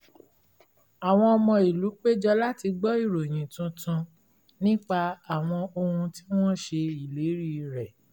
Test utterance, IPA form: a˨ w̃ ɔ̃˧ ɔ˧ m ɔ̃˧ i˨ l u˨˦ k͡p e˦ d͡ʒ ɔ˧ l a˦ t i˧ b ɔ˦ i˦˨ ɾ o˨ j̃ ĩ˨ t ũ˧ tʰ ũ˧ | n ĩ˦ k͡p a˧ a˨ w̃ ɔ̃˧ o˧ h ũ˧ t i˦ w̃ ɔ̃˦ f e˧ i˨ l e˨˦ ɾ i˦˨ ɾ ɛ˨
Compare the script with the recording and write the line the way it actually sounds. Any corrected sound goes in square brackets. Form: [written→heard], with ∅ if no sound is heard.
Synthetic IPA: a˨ w̃ ɔ̃˧ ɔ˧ m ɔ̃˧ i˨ l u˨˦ k͡p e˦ d͡ʒ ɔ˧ l a˦ t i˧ [b→ɡ͡b] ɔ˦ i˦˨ ɾ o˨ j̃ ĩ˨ t ũ˧ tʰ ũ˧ | n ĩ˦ k͡p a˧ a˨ w̃ ɔ̃˧ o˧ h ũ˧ t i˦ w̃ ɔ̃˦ [f→ʃ] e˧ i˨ l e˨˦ ɾ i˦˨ ɾ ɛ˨